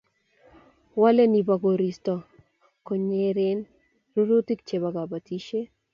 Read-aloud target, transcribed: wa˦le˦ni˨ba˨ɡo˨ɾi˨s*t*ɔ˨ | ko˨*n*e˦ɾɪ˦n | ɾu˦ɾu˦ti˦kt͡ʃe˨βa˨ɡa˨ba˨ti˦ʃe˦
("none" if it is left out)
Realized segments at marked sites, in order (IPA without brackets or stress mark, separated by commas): t, ɲ